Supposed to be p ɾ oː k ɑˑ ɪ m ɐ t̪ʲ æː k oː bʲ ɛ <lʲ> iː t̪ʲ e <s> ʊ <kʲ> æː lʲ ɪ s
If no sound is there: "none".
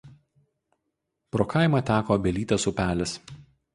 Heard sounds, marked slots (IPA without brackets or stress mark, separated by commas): lʲ, s, pʲ